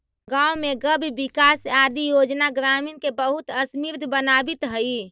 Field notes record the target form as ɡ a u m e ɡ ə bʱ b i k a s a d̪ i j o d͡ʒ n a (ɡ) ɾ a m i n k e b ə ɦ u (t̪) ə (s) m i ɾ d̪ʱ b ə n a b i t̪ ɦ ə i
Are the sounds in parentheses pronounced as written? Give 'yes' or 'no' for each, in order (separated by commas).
yes, yes, yes